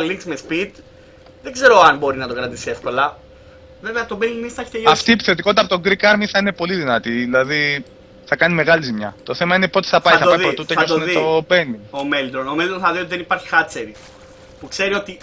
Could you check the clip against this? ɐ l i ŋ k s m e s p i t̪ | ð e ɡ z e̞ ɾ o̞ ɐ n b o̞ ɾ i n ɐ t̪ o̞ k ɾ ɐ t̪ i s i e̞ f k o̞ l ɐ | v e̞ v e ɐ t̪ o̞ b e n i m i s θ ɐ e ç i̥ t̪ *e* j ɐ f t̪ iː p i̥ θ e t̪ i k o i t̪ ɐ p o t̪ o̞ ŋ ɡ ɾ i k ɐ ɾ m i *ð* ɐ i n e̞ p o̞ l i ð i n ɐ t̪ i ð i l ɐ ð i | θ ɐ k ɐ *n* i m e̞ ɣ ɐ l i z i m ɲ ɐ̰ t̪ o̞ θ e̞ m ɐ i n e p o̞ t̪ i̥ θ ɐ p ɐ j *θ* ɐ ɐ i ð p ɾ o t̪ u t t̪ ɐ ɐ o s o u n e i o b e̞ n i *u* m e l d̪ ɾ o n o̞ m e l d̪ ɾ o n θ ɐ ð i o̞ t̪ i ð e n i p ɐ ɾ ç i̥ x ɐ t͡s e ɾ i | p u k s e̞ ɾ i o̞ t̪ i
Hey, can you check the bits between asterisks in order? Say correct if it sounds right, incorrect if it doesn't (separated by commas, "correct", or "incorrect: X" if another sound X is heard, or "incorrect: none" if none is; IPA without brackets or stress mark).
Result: correct, incorrect: θ, correct, correct, incorrect: o